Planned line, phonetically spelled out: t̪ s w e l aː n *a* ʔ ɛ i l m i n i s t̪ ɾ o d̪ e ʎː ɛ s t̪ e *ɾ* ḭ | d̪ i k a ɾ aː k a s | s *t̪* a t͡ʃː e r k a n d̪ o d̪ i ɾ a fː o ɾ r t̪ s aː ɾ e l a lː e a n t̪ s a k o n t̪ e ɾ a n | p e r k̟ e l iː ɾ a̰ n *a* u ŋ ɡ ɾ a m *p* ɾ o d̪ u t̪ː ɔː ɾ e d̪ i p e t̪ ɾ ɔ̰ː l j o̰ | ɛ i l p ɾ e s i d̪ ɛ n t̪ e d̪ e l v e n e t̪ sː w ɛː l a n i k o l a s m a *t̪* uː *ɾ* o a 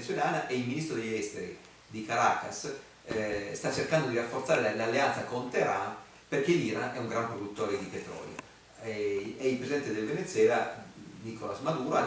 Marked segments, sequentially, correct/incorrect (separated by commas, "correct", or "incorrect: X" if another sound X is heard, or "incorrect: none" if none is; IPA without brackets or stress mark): correct, correct, correct, incorrect: ɛ, correct, incorrect: d̪, correct